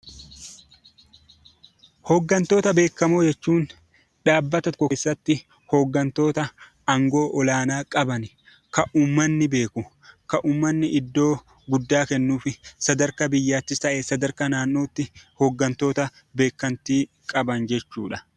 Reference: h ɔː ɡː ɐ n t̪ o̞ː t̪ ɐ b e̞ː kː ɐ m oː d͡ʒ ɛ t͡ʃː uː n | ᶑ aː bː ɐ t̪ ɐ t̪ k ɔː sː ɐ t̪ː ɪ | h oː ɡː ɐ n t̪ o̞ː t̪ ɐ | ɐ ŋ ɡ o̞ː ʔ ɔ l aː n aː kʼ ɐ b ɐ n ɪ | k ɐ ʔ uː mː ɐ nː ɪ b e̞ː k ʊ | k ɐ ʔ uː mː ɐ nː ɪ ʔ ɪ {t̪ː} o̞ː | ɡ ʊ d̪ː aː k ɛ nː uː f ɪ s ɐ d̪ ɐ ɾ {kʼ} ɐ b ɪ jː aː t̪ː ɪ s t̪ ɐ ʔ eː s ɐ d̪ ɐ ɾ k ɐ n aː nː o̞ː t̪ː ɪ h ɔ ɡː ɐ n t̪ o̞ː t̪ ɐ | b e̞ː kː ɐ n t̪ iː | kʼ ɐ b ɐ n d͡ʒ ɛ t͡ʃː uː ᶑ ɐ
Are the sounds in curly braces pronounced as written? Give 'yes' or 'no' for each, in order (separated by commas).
no, no